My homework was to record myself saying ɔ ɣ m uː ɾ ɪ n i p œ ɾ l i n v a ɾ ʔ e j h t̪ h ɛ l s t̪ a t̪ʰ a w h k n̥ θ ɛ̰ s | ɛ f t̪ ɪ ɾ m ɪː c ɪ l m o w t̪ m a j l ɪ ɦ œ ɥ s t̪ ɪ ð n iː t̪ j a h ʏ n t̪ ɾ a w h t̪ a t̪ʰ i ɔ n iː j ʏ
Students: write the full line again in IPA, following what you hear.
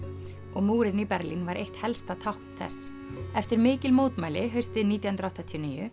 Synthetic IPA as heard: ɔ ɣ m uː ɾ ɪ n i p ɛ ɾ l i n v a ɾ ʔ e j h t̪ h ɛ l s t̪ a t̪ʰ a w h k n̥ θ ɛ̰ s | ɛ f t̪ ɪ ɾ m ɪː c ɪ l m o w t̪ m a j l ɪ ɦ œ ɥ s t̪ ɪ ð n iː t̪ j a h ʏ n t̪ ɾ a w h t̪ a t̪ʰ i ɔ n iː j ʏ